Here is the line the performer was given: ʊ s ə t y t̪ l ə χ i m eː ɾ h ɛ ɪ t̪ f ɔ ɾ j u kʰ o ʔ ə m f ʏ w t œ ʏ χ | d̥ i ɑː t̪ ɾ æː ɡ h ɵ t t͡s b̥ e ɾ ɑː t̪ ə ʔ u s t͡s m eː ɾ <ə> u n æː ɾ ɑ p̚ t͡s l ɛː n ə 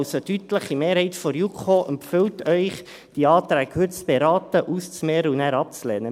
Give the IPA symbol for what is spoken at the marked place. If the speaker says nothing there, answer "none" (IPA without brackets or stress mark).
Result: ə